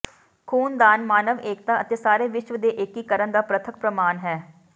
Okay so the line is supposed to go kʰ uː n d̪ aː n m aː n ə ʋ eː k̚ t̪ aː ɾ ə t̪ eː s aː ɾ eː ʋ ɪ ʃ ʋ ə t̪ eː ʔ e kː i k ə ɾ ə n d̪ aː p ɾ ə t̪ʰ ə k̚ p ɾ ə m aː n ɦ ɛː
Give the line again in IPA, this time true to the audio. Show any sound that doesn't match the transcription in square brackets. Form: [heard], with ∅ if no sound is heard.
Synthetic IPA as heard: kʰ uː n d̪ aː n m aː n ə ʋ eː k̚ t̪ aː [∅] ə t̪ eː s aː ɾ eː ʋ ɪ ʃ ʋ ə [d̪] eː ʔ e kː i k ə ɾ ə n d̪ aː p ɾ ə t̪ʰ ə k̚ p ɾ ə m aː n ɦ ɛː